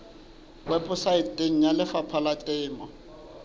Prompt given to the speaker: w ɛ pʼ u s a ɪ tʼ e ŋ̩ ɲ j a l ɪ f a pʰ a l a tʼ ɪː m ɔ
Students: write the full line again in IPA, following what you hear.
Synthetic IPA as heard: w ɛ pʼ ʊ s a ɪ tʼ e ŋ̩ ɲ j a l ɪ f a pʰ a l a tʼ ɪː m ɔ

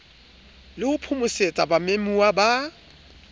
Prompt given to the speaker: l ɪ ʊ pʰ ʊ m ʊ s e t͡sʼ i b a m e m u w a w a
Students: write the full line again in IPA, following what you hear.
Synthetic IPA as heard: l ɪ ʊ pʰ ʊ m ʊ s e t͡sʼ a b a m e m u w a b a

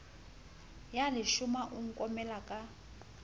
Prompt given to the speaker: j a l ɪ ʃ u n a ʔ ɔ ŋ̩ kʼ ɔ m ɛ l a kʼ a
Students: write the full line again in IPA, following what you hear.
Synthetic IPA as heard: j a l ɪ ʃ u m a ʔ u ŋ̩ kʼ ɔ m ɛ l a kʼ a

